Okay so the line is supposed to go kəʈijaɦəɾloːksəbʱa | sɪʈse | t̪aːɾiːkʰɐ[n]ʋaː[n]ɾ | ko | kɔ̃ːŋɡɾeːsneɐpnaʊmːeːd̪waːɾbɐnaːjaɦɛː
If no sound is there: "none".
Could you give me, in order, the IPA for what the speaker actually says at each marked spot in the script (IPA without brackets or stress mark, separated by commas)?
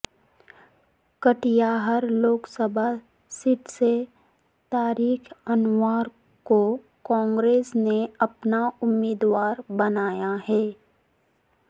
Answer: n, none